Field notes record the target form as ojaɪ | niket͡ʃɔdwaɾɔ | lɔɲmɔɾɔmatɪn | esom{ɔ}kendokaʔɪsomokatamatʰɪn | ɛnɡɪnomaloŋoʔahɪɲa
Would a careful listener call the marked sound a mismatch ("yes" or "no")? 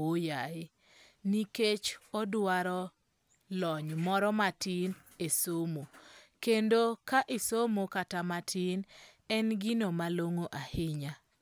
yes